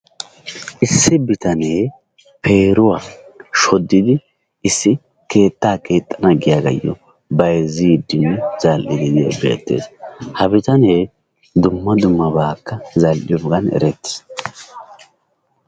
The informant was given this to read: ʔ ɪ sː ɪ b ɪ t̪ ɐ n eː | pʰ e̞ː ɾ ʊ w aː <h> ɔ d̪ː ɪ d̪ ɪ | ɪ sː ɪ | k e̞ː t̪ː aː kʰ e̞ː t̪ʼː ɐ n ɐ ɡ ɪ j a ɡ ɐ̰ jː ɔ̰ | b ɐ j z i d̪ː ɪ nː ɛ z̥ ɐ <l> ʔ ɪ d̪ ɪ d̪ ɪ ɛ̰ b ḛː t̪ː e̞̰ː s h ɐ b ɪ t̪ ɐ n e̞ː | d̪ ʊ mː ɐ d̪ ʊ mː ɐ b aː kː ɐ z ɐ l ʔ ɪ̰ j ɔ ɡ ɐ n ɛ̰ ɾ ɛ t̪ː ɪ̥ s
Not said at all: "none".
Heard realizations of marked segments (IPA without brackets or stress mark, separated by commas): ʃ, l